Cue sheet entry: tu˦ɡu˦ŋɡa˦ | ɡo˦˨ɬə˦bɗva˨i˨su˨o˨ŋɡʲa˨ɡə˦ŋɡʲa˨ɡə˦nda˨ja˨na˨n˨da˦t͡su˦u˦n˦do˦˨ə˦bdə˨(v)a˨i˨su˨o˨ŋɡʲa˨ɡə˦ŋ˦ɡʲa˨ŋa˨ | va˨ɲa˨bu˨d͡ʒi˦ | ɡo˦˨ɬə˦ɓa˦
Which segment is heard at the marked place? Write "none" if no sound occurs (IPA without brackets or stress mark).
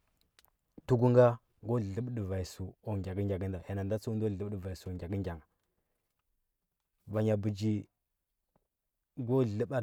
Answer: v